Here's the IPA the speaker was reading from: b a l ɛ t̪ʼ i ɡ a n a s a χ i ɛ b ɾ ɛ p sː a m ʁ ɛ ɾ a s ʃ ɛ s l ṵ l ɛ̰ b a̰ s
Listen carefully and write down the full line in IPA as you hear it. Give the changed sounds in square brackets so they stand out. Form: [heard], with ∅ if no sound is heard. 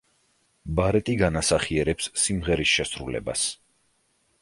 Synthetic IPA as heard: b a [ɾ] ɛ t̪ʼ i ɡ a n a s a χ i ɛ [∅] ɾ ɛ p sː [i] m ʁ ɛ ɾ [i] s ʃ ɛ s [ɾ] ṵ l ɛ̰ b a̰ s